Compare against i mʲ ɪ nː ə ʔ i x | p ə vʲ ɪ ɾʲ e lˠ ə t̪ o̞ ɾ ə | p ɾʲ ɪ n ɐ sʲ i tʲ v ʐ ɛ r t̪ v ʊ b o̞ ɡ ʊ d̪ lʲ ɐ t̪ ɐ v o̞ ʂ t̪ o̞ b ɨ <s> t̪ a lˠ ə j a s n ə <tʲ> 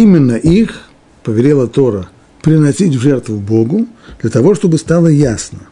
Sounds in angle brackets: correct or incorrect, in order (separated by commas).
correct, incorrect